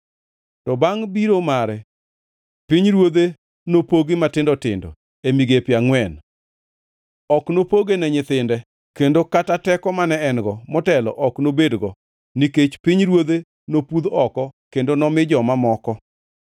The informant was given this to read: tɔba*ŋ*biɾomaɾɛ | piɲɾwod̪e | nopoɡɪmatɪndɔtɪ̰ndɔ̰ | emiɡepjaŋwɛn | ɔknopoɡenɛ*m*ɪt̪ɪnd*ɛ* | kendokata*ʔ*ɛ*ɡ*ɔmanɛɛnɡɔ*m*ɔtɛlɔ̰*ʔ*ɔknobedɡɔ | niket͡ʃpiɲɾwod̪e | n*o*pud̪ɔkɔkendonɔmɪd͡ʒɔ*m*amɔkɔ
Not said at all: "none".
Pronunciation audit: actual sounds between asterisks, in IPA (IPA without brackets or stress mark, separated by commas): ŋ, ɲ, ɛ, t, k, m, ʔ, o, m